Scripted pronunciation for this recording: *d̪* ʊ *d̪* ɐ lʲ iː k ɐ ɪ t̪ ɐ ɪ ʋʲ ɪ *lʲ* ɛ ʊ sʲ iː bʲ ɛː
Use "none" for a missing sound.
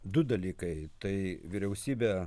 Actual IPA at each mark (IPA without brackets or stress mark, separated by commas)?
d̪, d̪, ɾʲ